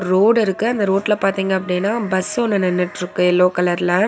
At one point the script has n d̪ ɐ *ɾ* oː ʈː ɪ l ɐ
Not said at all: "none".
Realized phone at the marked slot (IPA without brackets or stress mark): ɾ